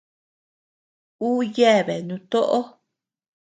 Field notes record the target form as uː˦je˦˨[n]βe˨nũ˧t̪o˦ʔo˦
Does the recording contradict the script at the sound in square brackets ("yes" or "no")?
yes